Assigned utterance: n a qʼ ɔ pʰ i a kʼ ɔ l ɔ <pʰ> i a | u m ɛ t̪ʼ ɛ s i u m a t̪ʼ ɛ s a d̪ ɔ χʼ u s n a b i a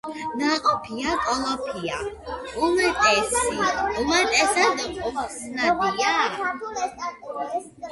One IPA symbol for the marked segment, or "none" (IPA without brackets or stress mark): pʰ